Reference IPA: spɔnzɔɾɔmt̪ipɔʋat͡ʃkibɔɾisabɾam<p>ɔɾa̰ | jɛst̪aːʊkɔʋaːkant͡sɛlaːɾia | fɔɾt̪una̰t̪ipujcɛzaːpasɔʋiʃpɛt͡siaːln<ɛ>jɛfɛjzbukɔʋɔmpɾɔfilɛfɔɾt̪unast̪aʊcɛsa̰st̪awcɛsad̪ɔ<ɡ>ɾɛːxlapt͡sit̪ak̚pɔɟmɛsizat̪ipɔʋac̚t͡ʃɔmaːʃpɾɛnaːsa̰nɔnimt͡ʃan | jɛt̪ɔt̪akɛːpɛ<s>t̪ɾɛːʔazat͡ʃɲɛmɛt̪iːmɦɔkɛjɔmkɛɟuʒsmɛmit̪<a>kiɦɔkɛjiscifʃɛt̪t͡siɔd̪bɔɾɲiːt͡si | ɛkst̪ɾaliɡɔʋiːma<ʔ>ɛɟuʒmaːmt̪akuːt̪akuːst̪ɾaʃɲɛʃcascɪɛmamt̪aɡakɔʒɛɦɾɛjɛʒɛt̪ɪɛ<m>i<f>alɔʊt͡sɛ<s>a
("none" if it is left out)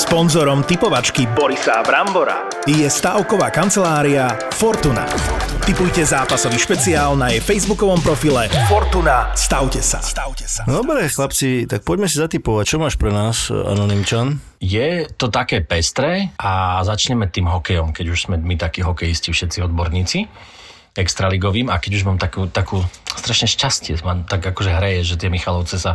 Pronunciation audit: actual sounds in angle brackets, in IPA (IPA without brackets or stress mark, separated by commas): b, a, b, s, a, k, m, x, s